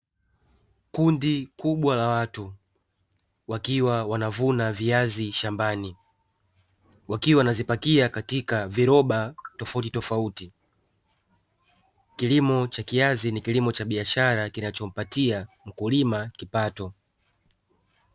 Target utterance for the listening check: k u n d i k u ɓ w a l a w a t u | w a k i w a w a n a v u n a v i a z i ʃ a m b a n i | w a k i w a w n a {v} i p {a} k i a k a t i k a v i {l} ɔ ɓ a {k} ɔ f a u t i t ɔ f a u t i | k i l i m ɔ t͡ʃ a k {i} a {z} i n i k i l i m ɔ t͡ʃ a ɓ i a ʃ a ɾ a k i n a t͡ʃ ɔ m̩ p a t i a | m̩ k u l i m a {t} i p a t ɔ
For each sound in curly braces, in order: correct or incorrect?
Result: incorrect: z, correct, incorrect: ɾ, incorrect: t, correct, correct, incorrect: k

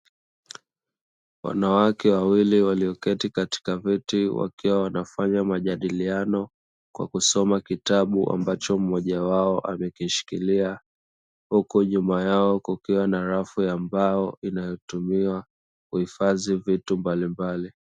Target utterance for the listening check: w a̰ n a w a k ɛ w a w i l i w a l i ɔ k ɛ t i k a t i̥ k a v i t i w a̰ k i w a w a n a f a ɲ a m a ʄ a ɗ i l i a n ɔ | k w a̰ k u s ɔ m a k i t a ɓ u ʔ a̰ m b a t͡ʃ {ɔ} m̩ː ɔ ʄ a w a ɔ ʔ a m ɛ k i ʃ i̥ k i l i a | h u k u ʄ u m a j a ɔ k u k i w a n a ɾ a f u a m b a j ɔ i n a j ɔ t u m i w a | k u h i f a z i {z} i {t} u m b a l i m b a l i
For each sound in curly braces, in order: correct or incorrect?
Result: correct, incorrect: v, correct

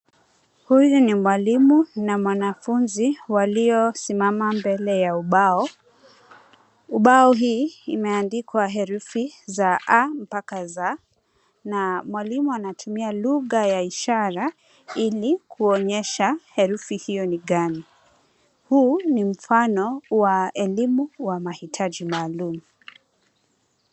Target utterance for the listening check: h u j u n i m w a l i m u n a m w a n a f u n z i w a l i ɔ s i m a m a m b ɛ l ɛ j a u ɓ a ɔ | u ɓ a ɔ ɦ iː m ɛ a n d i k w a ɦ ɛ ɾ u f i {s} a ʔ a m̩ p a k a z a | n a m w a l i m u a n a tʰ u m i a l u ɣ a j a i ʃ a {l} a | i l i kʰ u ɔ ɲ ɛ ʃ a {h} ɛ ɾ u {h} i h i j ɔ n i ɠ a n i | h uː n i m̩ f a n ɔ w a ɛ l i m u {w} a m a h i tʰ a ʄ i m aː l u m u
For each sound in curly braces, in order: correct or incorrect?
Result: incorrect: z, incorrect: ɾ, correct, incorrect: f, correct

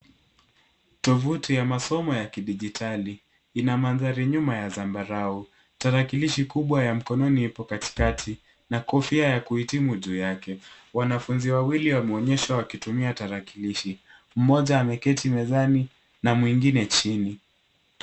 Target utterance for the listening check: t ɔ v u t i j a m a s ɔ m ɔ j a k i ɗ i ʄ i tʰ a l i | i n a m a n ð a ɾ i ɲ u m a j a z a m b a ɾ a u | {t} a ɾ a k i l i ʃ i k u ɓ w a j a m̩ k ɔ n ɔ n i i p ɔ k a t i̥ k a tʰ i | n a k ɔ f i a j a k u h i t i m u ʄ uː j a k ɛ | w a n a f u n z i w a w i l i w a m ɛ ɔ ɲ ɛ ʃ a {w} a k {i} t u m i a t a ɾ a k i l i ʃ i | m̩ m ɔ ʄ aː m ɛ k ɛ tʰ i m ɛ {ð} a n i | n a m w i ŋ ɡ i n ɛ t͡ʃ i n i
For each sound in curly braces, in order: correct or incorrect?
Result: correct, correct, correct, incorrect: z

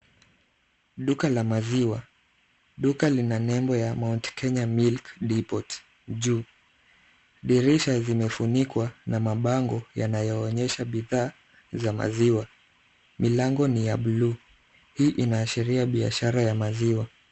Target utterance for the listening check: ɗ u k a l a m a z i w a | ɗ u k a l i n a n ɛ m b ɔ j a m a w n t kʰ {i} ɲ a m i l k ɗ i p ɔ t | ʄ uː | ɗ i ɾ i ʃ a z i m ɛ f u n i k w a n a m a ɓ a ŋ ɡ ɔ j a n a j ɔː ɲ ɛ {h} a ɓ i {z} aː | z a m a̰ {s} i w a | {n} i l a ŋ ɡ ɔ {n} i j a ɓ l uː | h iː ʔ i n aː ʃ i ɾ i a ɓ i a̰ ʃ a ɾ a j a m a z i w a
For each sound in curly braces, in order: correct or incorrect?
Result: incorrect: ɛ, incorrect: ʃ, incorrect: ð, incorrect: z, incorrect: m, correct

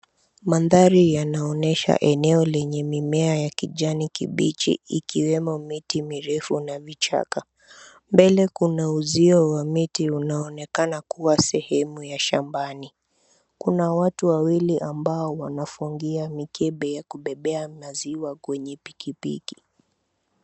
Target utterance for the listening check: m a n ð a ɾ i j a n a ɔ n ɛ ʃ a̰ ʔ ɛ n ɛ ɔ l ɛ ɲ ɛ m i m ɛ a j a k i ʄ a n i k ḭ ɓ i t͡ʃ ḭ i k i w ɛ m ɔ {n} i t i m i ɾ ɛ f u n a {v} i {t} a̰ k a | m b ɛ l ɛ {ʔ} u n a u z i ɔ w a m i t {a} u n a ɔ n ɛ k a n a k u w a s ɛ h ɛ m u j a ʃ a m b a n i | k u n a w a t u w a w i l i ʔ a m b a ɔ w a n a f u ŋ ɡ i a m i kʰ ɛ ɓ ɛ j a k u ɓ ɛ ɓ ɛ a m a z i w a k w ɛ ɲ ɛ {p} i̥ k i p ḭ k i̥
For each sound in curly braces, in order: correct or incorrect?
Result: incorrect: m, correct, incorrect: t͡ʃ, incorrect: k, incorrect: i, correct

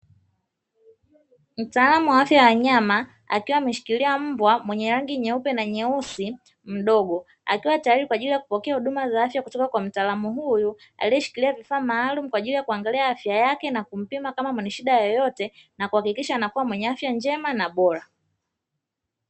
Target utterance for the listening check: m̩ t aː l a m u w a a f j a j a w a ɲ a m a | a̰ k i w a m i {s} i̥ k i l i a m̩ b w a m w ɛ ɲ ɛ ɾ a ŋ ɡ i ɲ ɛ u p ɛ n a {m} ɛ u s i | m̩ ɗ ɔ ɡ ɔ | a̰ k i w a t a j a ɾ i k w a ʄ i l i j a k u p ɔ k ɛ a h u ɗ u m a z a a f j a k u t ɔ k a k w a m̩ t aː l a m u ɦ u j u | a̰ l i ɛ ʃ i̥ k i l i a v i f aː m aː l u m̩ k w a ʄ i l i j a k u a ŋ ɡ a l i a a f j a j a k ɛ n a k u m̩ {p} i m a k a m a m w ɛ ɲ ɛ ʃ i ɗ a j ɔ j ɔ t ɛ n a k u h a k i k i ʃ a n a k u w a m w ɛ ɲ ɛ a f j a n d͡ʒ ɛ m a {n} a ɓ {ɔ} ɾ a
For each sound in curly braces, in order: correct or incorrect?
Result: incorrect: ʃ, incorrect: ɲ, correct, correct, correct

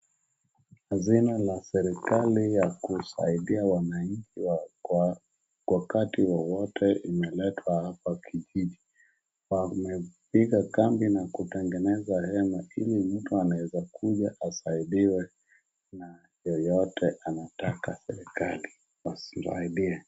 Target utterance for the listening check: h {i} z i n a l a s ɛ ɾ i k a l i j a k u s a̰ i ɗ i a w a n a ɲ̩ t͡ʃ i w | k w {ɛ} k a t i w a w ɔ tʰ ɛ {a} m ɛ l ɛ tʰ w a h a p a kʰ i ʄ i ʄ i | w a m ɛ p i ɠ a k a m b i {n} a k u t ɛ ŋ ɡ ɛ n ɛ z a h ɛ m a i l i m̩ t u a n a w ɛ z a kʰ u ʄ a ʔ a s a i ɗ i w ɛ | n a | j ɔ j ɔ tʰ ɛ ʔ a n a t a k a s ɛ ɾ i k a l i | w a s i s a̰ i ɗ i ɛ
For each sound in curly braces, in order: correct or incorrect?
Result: incorrect: a, incorrect: a, incorrect: i, correct

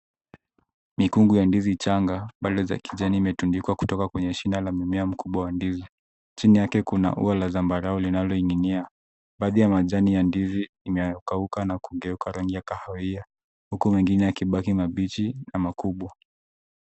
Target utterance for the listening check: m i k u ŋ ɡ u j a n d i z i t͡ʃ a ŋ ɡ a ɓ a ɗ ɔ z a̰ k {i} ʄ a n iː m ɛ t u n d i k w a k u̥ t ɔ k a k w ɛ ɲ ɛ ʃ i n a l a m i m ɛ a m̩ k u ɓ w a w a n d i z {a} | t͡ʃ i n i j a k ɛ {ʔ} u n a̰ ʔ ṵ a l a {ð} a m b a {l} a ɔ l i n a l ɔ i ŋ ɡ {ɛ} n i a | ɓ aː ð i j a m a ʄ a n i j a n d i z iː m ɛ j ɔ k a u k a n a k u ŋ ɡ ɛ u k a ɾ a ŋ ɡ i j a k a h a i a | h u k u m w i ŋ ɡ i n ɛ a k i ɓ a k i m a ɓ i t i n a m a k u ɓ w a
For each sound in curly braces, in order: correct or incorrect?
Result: correct, incorrect: i, incorrect: k, incorrect: z, incorrect: ɾ, incorrect: i

